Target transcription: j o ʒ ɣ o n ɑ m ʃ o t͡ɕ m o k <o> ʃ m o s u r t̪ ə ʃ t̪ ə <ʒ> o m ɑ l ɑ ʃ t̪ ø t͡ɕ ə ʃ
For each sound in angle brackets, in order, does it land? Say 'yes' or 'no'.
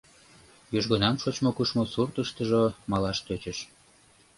no, yes

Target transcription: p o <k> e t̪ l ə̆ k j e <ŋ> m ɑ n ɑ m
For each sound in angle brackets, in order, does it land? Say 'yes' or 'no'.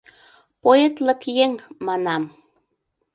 no, yes

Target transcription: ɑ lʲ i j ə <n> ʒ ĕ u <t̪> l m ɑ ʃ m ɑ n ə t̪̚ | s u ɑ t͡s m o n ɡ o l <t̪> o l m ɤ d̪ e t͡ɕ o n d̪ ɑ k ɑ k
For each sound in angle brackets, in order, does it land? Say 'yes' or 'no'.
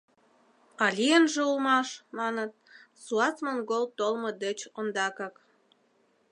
yes, no, yes

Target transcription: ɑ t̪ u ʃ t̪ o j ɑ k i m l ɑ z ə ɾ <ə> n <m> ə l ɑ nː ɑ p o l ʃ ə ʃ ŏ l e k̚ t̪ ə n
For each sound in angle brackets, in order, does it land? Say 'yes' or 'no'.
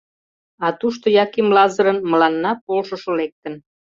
yes, yes

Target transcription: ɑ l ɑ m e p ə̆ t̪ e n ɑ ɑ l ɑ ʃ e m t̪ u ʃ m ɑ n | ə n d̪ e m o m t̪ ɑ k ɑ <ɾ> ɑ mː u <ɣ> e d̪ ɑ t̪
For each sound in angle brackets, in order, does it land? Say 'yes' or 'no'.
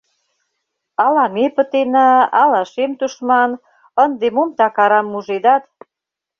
yes, no

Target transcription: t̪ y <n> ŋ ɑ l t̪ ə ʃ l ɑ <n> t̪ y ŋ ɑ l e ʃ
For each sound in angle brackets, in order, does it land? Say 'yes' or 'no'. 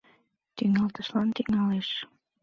no, yes

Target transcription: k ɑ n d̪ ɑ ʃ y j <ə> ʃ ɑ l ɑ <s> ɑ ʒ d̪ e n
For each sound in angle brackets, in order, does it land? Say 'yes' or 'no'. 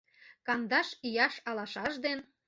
no, no

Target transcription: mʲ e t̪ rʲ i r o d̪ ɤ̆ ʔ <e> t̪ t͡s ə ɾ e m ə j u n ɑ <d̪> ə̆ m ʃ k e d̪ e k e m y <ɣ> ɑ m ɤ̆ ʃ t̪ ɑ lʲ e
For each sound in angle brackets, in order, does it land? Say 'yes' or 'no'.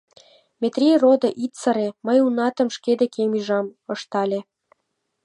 no, no, no

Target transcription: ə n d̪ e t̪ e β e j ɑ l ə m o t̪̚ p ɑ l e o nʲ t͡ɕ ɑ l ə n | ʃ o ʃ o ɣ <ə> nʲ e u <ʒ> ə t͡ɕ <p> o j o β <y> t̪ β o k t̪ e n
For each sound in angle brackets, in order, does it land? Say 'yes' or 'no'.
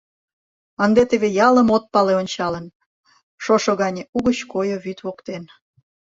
no, no, no, yes

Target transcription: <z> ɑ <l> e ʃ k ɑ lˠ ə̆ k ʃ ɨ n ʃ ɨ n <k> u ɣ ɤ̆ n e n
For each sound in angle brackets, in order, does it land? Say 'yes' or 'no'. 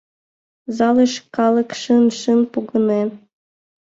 yes, yes, no

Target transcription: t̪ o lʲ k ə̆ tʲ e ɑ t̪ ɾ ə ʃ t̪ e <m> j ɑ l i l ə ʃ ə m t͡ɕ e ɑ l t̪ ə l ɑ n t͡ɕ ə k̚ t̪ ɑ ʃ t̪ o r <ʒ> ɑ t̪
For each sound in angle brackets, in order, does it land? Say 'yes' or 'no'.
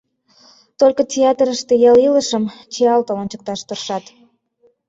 no, no

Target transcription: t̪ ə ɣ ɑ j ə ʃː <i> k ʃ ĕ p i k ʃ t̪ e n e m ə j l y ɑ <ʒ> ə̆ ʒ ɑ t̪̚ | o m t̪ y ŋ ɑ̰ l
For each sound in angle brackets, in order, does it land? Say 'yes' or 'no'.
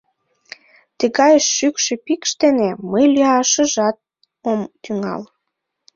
no, no

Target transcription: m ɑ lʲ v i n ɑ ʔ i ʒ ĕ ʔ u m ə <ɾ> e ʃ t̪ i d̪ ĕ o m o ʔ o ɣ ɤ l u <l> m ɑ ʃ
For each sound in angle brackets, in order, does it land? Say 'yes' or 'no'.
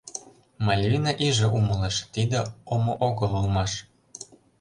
no, yes

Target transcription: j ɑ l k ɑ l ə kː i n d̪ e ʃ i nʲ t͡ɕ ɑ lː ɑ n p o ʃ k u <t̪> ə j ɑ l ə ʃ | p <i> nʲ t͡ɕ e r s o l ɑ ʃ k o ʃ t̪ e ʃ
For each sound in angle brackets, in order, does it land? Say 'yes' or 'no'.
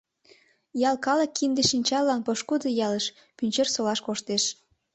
no, no

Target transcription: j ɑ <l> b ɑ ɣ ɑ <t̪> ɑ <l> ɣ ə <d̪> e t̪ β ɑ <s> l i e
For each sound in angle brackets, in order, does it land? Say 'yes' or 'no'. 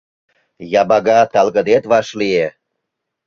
no, yes, yes, yes, no

